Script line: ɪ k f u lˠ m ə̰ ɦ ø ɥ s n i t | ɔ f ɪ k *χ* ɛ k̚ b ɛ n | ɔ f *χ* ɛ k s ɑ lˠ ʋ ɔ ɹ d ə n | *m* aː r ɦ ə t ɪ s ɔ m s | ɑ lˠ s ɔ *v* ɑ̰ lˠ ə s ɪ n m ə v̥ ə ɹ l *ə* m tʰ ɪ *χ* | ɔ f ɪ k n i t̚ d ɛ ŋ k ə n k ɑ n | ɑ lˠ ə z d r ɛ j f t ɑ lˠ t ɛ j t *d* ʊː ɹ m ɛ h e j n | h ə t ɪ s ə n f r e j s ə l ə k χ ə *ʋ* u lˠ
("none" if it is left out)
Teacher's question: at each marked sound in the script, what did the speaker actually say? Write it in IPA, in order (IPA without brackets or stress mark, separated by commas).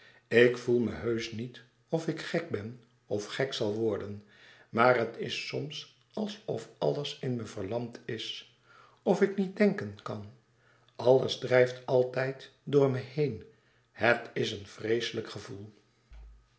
χ, χ, m, f, ɑ, s, d, v